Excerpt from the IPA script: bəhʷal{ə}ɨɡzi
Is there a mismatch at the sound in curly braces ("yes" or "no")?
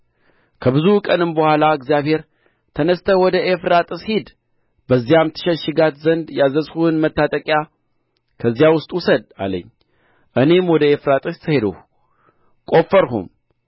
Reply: yes